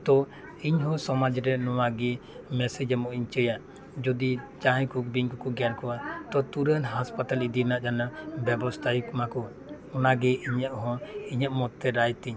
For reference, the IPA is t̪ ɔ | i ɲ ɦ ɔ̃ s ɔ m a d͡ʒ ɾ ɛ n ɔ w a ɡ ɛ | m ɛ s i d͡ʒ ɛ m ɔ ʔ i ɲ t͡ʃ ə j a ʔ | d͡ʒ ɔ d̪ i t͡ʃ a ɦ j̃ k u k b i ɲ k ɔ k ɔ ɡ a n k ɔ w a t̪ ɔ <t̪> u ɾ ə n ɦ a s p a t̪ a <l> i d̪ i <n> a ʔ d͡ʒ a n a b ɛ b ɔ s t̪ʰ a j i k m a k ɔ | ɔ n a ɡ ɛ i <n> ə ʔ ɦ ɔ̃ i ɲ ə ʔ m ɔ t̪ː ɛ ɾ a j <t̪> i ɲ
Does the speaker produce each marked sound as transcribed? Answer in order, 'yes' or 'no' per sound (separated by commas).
yes, yes, yes, no, yes